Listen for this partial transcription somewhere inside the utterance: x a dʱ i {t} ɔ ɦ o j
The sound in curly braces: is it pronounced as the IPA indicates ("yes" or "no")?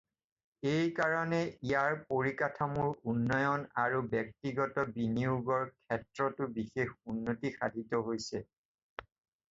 yes